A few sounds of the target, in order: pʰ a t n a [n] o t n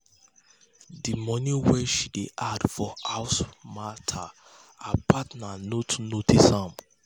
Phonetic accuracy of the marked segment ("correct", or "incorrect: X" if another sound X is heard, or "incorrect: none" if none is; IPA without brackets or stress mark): correct